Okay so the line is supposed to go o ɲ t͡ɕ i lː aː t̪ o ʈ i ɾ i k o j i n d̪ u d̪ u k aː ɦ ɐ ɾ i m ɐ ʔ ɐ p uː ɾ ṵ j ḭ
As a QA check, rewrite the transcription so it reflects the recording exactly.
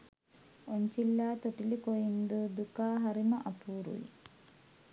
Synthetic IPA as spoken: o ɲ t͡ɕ i lː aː t̪ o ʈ i l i k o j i n d̪ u d̪ u k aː ɦ ɐ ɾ i m ɐ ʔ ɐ p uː ɾ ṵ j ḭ

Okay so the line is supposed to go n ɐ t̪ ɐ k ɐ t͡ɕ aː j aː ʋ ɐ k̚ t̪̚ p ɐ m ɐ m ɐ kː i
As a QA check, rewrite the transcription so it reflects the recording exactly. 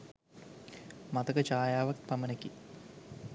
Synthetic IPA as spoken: m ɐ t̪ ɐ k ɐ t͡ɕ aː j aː ʋ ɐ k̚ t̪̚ p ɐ m ɐ n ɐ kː i

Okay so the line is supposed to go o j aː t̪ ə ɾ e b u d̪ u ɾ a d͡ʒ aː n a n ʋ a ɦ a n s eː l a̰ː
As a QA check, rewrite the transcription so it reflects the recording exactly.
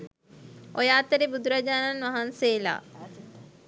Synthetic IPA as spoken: o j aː t̪ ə ɾ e b u d̪ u ɾ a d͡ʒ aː n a n ʋ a ɦ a n s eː l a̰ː

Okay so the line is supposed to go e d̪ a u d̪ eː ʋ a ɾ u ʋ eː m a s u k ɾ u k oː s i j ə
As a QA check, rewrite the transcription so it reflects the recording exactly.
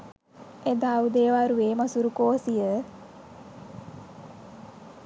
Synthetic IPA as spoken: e d̪ a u d̪ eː ʋ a ɾ u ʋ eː m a s u ɾ u k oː s i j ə

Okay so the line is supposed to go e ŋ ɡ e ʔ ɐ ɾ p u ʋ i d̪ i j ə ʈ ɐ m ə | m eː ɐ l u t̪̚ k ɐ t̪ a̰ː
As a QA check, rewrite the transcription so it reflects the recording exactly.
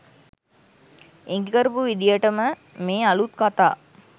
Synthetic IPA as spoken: e ŋ ɡ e k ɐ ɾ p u ʋ i d̪ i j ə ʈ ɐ m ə | m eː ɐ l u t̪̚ k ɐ t̪ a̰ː

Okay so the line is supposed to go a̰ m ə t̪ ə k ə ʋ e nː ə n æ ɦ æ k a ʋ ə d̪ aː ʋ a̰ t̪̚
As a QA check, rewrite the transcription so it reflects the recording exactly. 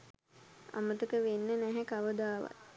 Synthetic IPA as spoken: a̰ m ə t̪ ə k ə ʋ e nː ə n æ ɦ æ k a ʋ ə d̪ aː ʋ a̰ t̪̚

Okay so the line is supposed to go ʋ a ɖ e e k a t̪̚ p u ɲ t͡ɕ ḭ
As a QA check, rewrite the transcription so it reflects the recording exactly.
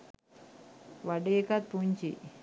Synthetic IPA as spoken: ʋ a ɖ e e k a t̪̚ p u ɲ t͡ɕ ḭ

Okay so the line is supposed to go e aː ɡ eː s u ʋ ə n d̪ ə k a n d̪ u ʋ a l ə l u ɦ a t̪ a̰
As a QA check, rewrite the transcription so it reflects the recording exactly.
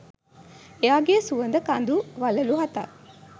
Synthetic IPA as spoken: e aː ɡ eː s u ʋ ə n d̪ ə k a n d̪ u ʋ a l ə l u ɦ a t̪ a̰

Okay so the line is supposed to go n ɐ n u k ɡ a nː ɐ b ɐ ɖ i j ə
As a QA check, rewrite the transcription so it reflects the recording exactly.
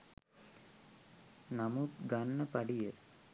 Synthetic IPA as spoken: n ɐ m u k ɡ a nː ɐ p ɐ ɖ i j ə

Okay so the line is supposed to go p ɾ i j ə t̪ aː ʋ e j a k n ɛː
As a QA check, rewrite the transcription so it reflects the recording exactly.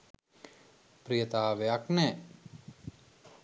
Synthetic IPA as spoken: p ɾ i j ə t̪ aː ʋ e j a k n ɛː

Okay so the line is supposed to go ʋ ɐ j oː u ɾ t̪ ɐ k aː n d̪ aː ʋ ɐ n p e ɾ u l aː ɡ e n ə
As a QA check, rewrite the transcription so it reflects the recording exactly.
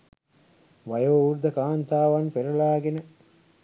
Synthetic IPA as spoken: ʋ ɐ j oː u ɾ d̪ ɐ k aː n t̪ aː ʋ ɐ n p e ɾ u l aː ɡ e n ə

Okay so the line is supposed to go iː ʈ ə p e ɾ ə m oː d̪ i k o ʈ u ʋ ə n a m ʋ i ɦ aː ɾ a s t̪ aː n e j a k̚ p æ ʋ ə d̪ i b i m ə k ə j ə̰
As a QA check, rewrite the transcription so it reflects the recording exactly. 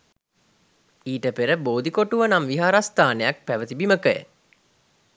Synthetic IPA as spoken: iː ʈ ə p e ɾ ə b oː d̪ i k o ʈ u ʋ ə n a m ʋ i ɦ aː ɾ a s t̪ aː n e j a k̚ p æ ʋ ə t̪ i b i m ə k ə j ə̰

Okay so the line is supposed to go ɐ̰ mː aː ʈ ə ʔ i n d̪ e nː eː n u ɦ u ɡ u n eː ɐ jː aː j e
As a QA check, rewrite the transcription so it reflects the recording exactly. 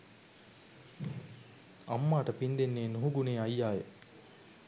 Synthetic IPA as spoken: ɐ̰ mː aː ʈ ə p i n d̪ e nː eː n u ɦ u ɡ u n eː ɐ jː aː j e

